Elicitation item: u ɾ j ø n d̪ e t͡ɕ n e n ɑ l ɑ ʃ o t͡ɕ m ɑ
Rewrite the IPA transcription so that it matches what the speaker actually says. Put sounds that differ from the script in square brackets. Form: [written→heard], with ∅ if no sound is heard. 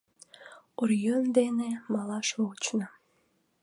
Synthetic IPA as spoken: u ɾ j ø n d̪ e [t͡ɕ→∅] n e [n→m] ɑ l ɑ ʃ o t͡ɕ [m→n] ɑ